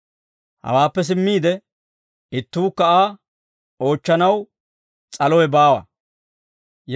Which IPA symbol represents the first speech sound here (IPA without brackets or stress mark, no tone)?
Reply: h